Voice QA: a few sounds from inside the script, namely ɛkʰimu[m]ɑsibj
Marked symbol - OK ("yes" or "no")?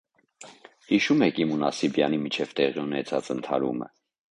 no